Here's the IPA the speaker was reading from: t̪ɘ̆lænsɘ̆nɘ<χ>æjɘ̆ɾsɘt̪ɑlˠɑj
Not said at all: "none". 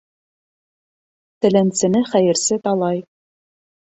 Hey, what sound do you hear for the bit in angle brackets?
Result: χ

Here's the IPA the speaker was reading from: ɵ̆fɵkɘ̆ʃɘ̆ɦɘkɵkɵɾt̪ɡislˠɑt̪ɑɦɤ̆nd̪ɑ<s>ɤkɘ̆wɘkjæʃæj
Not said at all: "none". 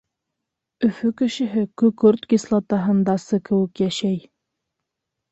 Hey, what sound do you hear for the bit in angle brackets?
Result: s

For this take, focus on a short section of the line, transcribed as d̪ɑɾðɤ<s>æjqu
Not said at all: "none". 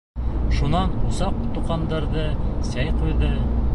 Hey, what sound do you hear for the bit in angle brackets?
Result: s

